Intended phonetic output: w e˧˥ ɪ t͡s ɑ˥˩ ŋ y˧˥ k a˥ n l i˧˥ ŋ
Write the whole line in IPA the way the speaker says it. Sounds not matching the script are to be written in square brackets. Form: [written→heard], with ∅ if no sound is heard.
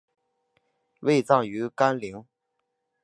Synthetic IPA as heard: w [e˧˥→e˥˧] ɪ t͡s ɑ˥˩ ŋ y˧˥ k a˥ n l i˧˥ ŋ

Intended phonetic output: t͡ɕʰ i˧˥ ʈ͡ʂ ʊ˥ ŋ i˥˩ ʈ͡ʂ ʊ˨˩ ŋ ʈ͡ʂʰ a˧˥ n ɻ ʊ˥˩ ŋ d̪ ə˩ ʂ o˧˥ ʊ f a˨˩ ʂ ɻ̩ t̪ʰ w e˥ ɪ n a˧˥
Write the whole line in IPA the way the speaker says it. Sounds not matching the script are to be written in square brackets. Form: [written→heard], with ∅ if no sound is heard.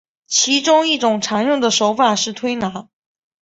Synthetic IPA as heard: t͡ɕʰ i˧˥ ʈ͡ʂ ʊ˥ ŋ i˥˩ ʈ͡ʂ ʊ˨˩ ŋ ʈ͡ʂʰ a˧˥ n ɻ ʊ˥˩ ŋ d̪ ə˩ ʂ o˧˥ ʊ f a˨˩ ʂ ɻ̩ t̪ʰ w e˥ ɪ n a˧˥

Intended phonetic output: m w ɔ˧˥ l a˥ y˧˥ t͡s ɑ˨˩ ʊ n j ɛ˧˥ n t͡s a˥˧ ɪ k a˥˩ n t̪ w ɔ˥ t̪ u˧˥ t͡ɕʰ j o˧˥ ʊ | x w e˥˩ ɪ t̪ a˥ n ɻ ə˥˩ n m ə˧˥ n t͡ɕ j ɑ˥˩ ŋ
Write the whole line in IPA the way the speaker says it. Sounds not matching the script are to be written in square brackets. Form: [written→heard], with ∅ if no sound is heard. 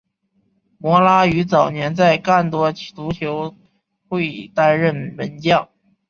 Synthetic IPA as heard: m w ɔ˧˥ l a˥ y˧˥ t͡s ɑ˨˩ ʊ n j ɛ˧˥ n t͡s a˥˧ ɪ k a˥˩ n t̪ w ɔ˥ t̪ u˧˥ t͡ɕʰ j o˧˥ ʊ | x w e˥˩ ɪ t̪ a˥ n ɻ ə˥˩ n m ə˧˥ n t͡ɕ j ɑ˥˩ ŋ

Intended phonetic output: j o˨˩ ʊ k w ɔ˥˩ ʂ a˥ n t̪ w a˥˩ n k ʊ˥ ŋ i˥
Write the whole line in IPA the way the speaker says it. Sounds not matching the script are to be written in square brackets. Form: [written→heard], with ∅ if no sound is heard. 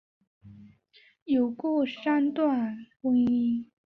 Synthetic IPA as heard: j o˨˩ ʊ k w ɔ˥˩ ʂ a˥ n t̪ w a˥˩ n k ʊ˥ ŋ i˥

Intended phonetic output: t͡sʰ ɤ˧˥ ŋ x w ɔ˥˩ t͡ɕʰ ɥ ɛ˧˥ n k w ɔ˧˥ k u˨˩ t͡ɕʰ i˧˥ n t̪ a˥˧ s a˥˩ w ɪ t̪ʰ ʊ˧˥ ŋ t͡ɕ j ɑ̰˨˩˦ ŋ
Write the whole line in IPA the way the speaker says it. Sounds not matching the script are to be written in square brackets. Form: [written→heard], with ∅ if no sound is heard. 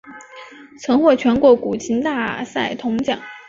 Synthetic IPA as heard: t͡sʰ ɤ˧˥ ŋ x w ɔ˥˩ t͡ɕʰ ɥ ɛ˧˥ n k w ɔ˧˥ k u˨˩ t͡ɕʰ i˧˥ n t̪ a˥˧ s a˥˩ [w→∅] ɪ t̪ʰ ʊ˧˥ ŋ t͡ɕ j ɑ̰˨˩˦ ŋ

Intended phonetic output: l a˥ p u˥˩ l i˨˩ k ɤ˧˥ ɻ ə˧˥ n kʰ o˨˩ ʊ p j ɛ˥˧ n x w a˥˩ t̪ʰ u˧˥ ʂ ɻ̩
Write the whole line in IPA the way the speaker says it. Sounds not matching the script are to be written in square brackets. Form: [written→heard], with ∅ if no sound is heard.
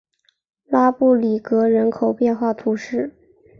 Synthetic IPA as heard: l a˥ p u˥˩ l i˨˩ k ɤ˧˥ ɻ ə˧˥ n kʰ o˨˩ ʊ p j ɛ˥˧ n x w a˥˩ t̪ʰ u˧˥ ʂ ɻ̩

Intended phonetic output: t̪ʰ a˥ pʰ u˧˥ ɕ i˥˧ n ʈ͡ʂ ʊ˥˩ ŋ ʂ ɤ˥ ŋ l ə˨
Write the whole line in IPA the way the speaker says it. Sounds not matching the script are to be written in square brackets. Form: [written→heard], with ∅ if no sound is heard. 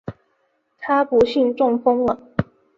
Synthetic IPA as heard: t̪ʰ a˥ [pʰ→p] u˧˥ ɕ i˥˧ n ʈ͡ʂ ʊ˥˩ ŋ [ʂ→f] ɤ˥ ŋ l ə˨

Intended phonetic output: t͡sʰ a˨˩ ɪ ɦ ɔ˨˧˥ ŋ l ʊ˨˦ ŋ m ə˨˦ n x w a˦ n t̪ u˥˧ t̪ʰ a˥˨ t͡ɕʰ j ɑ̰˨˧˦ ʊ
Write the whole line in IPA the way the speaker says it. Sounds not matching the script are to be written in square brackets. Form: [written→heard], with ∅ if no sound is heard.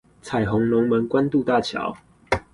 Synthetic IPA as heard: t͡sʰ a˨˩ ɪ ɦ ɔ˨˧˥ ŋ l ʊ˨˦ ŋ m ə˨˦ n [x→k] w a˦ n t̪ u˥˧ [t̪ʰ→t̪] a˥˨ t͡ɕʰ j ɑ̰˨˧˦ ʊ

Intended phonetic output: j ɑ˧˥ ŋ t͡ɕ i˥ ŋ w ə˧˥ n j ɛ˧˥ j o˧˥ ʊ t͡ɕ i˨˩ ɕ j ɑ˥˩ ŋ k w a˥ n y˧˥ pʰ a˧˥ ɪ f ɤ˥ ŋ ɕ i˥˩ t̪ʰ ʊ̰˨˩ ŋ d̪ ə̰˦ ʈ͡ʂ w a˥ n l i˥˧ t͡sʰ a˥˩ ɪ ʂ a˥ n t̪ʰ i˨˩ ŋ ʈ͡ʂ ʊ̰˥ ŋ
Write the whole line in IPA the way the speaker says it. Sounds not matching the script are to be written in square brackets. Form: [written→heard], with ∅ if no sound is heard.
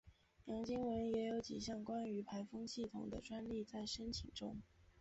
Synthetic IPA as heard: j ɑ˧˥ ŋ t͡ɕ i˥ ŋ w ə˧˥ n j ɛ˧˥ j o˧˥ ʊ t͡ɕ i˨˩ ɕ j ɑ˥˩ ŋ k w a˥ n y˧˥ pʰ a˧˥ ɪ f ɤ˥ ŋ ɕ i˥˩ t̪ʰ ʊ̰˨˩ ŋ d̪ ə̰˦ ʈ͡ʂ w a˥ n l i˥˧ [t͡sʰ→t͡s] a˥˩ ɪ ʂ [a˥→ə˥] n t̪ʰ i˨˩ ŋ ʈ͡ʂ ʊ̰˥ ŋ

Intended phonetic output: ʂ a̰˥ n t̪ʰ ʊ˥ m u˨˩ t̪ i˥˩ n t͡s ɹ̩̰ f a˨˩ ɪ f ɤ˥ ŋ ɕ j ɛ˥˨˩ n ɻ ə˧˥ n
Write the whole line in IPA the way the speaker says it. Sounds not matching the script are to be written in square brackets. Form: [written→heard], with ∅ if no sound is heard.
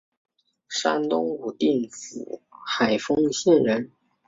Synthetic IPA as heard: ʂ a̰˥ n [t̪ʰ→t̪] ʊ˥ [m→ŋ] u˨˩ t̪ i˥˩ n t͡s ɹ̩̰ [f→x] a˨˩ ɪ f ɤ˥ ŋ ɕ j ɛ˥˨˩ n ɻ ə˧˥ n

